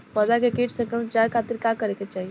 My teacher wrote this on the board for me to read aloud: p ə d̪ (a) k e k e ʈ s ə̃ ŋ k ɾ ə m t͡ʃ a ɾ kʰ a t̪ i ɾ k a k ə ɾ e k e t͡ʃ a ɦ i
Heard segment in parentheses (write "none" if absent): a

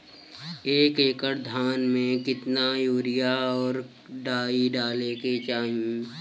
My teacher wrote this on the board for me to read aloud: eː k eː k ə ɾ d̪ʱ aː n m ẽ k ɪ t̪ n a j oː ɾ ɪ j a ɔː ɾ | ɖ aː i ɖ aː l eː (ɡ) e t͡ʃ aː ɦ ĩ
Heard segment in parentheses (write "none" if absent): k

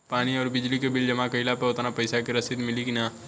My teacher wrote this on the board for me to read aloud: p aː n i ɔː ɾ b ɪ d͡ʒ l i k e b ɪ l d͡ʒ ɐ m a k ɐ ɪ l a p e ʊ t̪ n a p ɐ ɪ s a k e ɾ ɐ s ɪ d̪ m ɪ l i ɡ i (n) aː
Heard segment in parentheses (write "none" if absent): n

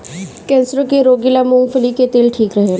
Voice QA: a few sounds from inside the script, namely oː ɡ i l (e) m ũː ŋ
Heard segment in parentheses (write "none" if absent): a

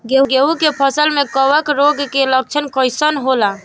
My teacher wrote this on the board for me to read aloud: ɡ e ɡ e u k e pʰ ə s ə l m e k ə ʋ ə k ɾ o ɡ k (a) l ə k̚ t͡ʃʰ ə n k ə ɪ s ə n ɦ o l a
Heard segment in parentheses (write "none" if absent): e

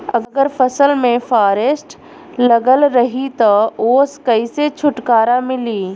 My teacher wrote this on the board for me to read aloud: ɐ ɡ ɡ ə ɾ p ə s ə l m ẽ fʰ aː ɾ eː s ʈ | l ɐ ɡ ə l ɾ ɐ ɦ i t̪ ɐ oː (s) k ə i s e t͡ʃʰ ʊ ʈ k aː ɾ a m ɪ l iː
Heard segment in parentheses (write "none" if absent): s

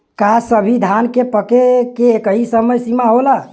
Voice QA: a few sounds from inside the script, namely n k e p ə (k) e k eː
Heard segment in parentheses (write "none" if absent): k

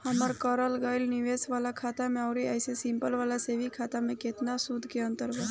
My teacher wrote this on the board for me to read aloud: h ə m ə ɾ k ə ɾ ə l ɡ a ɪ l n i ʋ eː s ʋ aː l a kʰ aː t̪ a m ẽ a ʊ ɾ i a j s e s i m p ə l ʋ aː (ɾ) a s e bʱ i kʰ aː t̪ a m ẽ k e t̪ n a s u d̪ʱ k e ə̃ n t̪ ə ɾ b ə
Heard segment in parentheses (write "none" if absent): l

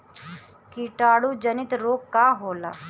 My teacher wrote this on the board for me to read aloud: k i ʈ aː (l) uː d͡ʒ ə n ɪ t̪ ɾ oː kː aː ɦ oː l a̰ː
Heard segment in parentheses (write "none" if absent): ɽ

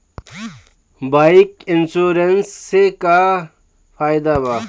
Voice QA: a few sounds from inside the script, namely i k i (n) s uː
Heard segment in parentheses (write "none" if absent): n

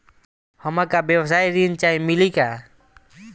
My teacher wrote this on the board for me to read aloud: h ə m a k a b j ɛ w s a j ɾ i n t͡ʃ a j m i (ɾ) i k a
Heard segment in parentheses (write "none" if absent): l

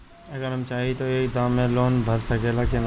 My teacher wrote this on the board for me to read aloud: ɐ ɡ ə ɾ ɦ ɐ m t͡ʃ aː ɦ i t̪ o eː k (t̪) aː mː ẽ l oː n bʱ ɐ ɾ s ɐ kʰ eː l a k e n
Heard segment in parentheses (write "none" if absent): d̪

